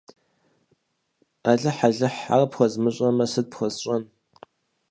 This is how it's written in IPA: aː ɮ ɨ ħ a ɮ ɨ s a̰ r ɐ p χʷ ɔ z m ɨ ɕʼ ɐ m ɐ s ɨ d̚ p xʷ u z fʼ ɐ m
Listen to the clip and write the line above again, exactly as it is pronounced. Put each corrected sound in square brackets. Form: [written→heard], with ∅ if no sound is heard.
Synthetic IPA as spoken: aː ɮ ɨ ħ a ɮ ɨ [s→ħ] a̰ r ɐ p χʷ ɔ z m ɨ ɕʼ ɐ m ɐ s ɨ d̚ p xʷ [u→ɔ] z [fʼ→ɕʼ] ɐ [m→n]